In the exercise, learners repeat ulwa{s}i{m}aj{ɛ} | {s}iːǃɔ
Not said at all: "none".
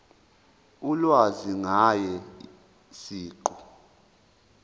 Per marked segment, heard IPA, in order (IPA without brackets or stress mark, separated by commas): z, ŋ, ɛ, s